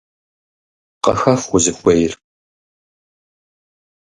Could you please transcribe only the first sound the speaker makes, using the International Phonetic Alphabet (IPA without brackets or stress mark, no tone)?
q